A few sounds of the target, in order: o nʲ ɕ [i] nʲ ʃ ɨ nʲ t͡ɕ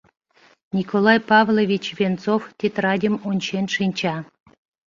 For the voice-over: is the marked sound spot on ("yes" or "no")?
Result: no